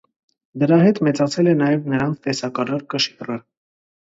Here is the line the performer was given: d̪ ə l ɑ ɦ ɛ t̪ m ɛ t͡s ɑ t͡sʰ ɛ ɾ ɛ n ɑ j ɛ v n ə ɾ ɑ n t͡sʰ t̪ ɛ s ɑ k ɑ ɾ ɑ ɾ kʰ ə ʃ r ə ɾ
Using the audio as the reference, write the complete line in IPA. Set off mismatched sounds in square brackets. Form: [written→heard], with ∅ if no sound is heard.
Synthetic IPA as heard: d̪ ə [l→ɾ] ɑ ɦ ɛ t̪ m ɛ t͡s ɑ t͡sʰ ɛ [ɾ→l] ɛ n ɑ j ɛ v n ə ɾ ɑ n t͡sʰ t̪ ɛ s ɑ k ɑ ɾ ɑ ɾ [kʰ→k] ə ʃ r ə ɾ